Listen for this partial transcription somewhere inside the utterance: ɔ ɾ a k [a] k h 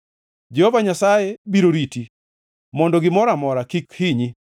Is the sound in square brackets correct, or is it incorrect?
incorrect